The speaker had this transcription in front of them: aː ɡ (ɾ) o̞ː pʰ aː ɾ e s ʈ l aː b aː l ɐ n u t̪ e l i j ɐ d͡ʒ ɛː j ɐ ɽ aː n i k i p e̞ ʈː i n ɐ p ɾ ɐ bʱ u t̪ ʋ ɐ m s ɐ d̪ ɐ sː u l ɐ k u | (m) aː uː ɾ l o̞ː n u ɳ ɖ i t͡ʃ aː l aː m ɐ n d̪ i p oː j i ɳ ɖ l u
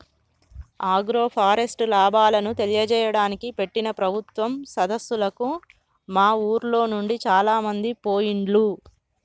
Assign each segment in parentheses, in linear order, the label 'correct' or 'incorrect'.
correct, correct

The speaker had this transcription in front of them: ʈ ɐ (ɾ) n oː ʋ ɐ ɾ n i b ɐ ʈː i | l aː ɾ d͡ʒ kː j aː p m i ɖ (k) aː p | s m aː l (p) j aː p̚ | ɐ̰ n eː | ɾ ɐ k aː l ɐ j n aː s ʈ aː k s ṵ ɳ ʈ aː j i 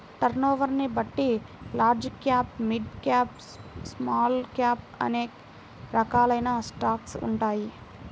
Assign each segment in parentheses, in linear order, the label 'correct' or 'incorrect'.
correct, correct, incorrect: k

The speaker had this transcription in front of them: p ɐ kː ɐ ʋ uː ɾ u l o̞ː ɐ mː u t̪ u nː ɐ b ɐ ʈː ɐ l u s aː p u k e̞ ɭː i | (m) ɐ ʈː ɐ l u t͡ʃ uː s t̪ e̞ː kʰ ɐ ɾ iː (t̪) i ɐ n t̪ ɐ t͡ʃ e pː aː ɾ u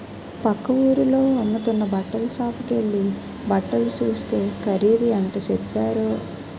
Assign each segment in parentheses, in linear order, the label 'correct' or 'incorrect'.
incorrect: b, incorrect: d̪

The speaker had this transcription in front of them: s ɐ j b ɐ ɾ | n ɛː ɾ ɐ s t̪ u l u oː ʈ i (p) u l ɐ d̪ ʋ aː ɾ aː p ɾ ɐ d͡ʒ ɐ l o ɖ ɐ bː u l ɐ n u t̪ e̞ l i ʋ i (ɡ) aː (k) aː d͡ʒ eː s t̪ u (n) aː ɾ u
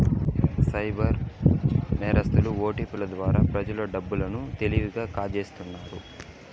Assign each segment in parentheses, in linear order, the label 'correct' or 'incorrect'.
correct, correct, correct, incorrect: nː

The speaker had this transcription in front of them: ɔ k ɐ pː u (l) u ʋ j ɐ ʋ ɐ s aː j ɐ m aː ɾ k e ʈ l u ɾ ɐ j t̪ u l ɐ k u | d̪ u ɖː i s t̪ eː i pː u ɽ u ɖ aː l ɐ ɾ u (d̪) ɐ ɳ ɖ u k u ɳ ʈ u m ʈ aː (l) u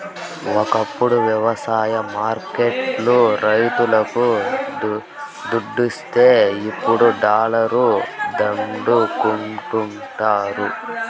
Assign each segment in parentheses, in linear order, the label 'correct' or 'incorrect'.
incorrect: ɽ, correct, incorrect: ɾ

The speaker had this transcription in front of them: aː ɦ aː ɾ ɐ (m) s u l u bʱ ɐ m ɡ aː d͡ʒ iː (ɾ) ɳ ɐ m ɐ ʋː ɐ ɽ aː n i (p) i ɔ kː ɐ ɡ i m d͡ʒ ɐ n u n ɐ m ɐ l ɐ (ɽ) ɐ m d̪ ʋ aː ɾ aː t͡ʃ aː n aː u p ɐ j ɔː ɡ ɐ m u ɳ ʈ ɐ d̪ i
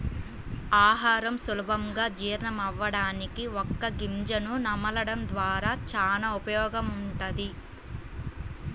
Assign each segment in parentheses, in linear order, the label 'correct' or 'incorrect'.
correct, correct, incorrect: k, correct

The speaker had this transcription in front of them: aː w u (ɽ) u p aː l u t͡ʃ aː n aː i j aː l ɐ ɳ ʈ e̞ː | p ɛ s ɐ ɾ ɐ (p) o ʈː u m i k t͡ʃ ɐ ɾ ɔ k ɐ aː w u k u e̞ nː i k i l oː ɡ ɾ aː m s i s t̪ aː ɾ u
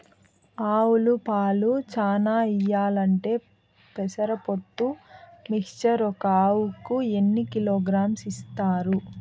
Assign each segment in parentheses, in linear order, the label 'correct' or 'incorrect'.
incorrect: l, correct

